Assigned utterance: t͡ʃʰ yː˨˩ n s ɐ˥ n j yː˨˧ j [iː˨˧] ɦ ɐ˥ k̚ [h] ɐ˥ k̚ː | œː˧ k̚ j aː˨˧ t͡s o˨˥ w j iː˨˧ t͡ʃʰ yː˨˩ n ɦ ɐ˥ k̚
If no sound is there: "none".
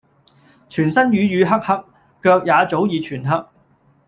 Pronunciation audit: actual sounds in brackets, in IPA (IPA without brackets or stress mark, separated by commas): yː˨˧, h